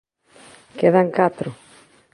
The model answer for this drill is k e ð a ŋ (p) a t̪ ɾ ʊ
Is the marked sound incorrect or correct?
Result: incorrect